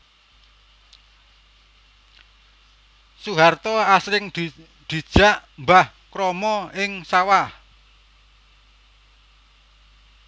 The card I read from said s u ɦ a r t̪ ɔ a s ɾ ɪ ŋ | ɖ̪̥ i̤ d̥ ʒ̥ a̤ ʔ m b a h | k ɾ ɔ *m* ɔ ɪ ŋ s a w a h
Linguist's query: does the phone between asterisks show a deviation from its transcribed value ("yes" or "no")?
no